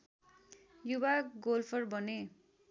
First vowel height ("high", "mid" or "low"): high